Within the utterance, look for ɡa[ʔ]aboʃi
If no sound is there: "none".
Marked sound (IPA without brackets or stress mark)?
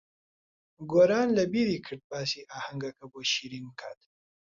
k